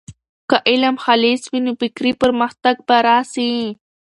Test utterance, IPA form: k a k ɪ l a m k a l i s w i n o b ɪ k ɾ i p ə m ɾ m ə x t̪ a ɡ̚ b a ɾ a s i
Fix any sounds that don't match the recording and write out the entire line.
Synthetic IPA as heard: k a ʔ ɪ l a m x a l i s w i n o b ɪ k ɾ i p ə ɾ m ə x t̪ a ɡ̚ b a ɾ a s i